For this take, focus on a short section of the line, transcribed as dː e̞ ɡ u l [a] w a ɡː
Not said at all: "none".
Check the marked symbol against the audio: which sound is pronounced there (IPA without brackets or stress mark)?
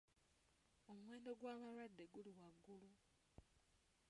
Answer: i